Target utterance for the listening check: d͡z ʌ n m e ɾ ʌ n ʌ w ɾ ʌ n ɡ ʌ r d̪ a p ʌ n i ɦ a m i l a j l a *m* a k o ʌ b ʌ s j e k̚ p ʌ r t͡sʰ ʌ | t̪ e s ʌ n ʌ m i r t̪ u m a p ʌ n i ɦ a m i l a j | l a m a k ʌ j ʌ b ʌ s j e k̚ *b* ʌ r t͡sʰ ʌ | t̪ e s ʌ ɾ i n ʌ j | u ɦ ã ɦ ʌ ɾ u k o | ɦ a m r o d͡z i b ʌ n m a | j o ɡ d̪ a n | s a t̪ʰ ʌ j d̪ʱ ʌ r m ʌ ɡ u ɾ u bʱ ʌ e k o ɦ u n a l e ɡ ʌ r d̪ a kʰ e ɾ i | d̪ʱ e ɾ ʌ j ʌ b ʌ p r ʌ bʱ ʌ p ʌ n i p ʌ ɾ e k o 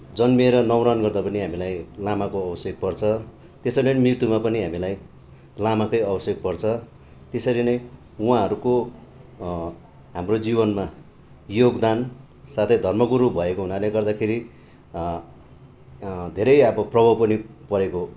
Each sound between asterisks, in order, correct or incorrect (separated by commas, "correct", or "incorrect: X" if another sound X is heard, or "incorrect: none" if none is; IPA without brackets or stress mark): correct, incorrect: p